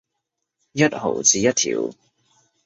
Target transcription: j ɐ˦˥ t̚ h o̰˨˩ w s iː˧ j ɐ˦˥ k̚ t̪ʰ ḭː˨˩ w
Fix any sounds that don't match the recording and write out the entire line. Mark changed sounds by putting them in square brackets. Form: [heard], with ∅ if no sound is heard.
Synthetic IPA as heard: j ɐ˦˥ t̚ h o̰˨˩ w [t͡s] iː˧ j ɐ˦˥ [t̚] t̪ʰ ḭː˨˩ w